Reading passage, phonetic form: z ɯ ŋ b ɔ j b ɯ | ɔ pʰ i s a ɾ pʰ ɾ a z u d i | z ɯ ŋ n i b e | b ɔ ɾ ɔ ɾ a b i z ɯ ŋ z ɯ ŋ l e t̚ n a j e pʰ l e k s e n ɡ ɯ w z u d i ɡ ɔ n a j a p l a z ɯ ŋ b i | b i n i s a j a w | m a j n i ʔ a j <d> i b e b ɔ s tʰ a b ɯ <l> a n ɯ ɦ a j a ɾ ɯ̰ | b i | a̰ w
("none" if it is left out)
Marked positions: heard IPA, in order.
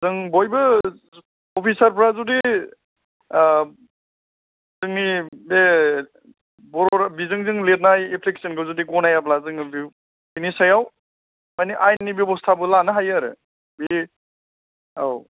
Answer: n, l

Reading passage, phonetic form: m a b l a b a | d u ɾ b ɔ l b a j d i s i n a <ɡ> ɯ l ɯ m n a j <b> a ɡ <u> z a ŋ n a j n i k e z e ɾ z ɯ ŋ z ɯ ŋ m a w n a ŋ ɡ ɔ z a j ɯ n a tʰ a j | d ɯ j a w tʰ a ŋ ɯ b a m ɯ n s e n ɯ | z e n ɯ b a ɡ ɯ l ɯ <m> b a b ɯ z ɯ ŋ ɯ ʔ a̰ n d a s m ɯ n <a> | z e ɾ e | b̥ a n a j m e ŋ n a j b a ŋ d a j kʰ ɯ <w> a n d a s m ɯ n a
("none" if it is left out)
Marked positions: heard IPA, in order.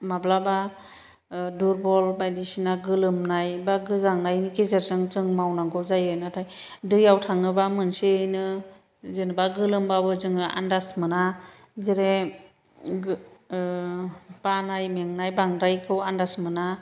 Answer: ɡ, b, ɯ, m, a, w

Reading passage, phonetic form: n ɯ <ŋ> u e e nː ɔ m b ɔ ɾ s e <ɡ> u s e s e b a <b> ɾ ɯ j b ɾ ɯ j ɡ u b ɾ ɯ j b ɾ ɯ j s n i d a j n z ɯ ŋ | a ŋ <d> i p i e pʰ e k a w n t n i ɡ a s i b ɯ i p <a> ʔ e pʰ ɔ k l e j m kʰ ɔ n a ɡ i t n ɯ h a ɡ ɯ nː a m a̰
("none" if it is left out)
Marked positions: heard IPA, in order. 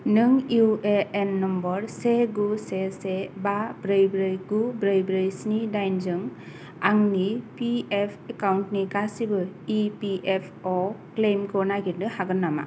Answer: ŋ, ɡ, b, n, i

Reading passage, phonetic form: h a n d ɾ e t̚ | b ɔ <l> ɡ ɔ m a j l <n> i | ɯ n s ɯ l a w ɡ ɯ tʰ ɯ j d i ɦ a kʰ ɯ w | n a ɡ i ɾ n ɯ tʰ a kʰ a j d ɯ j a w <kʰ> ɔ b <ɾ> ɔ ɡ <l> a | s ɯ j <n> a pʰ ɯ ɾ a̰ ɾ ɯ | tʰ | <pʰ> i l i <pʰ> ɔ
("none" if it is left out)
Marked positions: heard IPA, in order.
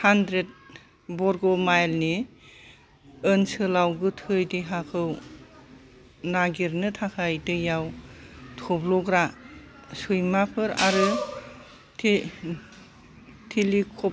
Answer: ɾ, n, tʰ, l, ɾ, m, tʰ, kʰ

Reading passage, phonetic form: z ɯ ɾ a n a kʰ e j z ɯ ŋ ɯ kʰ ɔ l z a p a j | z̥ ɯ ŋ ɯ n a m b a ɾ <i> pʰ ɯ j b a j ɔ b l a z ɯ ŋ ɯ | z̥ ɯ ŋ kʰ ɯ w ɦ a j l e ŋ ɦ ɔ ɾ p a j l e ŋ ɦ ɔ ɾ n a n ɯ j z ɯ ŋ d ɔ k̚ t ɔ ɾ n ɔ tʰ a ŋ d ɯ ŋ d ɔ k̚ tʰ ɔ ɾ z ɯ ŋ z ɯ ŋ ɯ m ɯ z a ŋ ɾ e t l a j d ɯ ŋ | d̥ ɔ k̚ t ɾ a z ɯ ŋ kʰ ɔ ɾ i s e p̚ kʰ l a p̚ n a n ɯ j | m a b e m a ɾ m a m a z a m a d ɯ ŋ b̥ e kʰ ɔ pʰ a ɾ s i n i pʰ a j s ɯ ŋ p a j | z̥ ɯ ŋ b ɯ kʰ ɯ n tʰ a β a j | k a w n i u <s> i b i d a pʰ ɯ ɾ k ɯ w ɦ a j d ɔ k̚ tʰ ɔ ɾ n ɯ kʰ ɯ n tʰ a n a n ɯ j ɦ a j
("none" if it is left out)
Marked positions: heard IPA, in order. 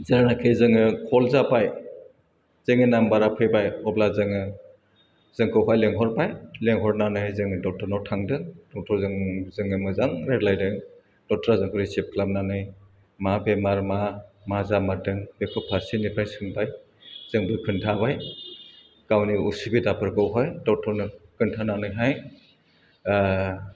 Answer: a, s

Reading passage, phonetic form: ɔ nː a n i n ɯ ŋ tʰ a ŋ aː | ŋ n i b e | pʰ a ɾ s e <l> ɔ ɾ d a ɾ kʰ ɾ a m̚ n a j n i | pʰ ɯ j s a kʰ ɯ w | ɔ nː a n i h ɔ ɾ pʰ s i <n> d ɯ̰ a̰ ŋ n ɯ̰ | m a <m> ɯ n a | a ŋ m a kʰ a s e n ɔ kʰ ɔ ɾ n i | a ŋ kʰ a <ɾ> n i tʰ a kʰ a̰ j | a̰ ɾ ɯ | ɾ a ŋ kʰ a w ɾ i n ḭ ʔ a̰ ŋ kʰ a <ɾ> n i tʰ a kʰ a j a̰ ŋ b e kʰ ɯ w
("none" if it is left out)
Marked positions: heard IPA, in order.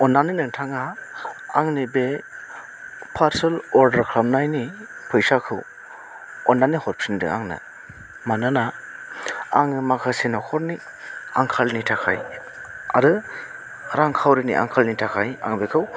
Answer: l, n, n, l, l

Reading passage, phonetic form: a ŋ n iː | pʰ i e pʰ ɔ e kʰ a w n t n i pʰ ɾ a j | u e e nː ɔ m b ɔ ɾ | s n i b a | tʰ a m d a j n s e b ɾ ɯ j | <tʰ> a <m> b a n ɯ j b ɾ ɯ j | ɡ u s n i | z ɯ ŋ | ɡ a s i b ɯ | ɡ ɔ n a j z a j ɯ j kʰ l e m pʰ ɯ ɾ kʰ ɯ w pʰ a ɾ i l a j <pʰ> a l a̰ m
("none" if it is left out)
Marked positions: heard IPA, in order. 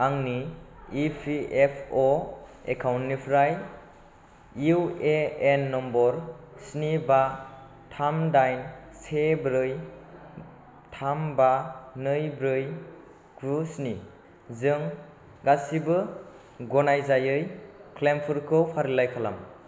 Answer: tʰ, m, kʰ

